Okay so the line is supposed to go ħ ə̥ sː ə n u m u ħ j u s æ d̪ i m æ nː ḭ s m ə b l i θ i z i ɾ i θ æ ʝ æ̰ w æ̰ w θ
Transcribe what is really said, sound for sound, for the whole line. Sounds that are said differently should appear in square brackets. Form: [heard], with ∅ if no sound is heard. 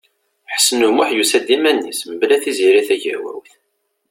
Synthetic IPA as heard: ħ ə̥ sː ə n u m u ħ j u s æ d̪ i m æ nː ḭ s m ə b l [æ] θ i z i ɾ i θ æ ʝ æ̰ w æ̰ w θ